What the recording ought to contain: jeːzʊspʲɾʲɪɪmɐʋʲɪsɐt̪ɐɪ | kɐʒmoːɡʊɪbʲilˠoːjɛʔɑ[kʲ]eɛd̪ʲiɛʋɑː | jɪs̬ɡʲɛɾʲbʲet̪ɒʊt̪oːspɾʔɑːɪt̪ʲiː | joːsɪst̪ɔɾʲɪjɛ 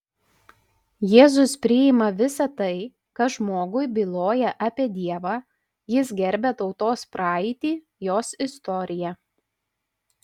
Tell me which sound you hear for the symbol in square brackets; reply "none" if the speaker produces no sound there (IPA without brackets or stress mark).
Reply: pʲ